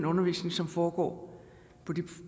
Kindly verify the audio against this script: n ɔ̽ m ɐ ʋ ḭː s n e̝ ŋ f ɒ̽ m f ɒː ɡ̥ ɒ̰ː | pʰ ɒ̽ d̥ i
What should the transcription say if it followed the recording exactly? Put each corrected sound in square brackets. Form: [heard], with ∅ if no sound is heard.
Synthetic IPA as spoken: n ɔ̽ [n] ɐ ʋ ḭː s n e̝ ŋ [s] ɒ̽ m f ɒː ɡ̥ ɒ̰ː | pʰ ɒ̽ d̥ i